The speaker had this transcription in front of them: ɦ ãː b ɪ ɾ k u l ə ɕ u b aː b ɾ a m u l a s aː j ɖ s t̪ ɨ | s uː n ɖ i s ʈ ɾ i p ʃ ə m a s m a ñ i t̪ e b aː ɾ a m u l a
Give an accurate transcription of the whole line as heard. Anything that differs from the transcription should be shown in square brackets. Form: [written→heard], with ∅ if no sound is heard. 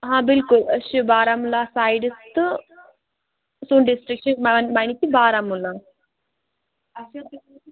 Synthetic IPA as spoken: ɦ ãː b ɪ [ɾ→l] k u l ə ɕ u b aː [b→∅] ɾ a m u l a s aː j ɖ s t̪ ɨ | s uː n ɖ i s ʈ ɾ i [p→k] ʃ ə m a [s→∅] m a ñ i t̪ [e→i] b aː ɾ a m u l a